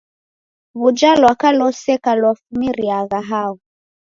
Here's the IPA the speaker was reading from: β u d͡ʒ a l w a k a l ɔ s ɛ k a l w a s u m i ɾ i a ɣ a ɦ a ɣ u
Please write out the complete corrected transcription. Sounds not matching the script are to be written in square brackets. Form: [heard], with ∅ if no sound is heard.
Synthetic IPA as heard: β u d͡ʒ a l w a k a l ɔ s ɛ k a l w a [f] u m i ɾ i a ɣ a ɦ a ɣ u